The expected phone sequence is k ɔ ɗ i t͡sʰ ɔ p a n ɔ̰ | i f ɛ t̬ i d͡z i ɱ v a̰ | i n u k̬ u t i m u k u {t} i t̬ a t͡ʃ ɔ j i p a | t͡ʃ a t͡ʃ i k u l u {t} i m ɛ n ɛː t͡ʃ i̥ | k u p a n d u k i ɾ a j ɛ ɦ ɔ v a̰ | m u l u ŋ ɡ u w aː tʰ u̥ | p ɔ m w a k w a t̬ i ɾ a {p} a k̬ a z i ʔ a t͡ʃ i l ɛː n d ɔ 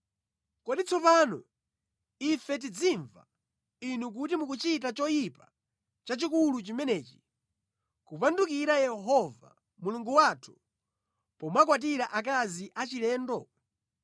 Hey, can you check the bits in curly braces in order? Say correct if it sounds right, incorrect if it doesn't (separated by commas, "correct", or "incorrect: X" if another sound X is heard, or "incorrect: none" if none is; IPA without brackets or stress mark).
incorrect: t͡ʃ, incorrect: t͡ʃ, incorrect: ʔ